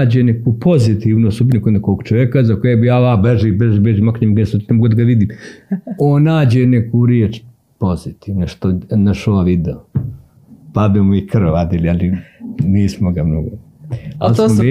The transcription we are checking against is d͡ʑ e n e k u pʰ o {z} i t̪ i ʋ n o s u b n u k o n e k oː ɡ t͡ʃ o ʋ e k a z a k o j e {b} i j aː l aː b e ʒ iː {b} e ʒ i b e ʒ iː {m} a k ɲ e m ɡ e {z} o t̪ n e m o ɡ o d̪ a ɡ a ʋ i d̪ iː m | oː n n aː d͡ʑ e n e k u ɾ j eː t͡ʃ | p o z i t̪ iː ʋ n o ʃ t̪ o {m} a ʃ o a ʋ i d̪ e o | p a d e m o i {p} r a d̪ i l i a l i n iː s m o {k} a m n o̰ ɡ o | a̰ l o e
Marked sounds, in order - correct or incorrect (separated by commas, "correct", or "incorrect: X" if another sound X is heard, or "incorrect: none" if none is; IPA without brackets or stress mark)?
correct, correct, correct, correct, incorrect: s, incorrect: n, incorrect: k, incorrect: ɡ